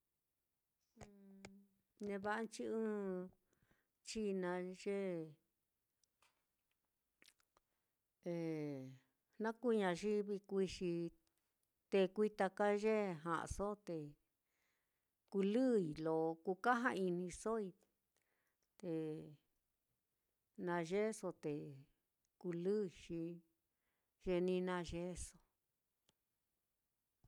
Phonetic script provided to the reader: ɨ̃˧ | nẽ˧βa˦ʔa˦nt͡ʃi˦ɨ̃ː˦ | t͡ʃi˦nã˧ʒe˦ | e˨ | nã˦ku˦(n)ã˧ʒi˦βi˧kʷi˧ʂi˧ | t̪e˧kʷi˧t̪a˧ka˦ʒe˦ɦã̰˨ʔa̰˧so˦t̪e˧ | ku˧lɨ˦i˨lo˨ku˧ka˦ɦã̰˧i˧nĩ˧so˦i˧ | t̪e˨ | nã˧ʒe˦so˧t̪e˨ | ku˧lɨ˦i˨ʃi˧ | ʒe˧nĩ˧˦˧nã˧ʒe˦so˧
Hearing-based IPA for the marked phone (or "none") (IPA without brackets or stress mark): ɲ